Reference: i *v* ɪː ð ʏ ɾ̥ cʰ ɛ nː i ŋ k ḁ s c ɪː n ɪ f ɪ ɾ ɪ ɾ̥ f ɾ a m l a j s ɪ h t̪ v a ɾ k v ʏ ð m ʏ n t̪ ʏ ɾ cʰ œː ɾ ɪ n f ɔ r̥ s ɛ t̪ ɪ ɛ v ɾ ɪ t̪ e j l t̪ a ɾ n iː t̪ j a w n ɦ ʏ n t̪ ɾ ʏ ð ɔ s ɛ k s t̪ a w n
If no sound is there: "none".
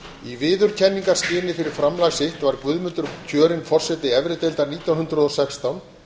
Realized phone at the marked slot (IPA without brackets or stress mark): v